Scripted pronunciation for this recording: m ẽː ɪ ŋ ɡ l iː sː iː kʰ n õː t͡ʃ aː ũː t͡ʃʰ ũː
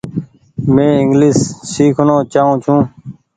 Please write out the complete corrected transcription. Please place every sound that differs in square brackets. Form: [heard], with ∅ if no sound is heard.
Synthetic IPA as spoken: m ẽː ɪ ŋ ɡ l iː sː iː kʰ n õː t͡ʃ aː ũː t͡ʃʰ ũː